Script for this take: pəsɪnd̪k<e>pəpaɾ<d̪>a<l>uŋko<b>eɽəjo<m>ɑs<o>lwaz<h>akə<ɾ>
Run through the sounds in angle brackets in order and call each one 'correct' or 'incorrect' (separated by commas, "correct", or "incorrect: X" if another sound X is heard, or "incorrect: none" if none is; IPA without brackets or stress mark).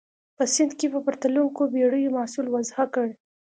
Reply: correct, incorrect: t̪, correct, correct, correct, incorrect: u, correct, incorrect: ɽ